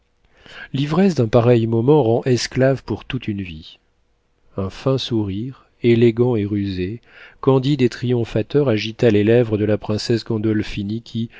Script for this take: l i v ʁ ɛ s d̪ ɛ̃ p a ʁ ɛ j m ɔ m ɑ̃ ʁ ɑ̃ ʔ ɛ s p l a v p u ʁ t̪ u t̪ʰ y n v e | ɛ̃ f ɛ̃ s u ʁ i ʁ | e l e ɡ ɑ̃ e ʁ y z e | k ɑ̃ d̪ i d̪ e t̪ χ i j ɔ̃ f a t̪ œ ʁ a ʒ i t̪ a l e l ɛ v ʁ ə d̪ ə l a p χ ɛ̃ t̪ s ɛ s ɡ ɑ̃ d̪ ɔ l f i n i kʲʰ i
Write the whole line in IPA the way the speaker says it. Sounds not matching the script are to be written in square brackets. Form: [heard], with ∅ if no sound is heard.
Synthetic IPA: l i v ʁ ɛ s d̪ ɛ̃ p a ʁ ɛ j m ɔ m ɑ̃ ʁ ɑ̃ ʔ ɛ s [k] l a v p u ʁ t̪ u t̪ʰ y n v [i] | ɛ̃ f ɛ̃ s u ʁ i ʁ | e l e ɡ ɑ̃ e ʁ y z e | k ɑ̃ d̪ i d̪ e t̪ χ i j ɔ̃ f a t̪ œ ʁ a ʒ i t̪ a l e l ɛ v ʁ ə d̪ ə l a p χ ɛ̃ [∅] s ɛ s ɡ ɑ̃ d̪ ɔ l f i n i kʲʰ i